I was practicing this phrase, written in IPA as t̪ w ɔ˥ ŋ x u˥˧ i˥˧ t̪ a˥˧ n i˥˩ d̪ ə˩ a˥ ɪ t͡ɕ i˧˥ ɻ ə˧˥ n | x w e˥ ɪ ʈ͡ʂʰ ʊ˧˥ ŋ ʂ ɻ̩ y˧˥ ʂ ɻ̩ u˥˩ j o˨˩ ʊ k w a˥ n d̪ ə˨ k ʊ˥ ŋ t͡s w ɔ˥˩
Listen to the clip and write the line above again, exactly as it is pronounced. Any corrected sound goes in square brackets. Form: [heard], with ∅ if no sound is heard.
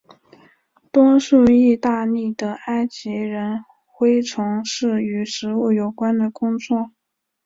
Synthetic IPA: t̪ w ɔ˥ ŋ [ʂ] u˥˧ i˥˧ t̪ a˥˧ n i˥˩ d̪ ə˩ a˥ ɪ t͡ɕ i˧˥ ɻ ə˧˥ n | x w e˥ ɪ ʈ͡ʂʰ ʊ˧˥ ŋ ʂ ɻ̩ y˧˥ ʂ ɻ̩ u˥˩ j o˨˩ ʊ k w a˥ n d̪ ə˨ k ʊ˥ ŋ t͡s w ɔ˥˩